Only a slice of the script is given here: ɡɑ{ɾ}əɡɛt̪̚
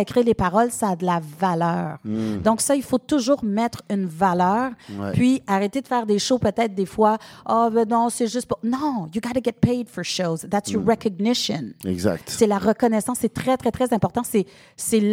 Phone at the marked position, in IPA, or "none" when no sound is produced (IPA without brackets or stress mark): ɾ